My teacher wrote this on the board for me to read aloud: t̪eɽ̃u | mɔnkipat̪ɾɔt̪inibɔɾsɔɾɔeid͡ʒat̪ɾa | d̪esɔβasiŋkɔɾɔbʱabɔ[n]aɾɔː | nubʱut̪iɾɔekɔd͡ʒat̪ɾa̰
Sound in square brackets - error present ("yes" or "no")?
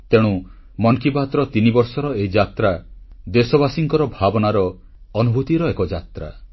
no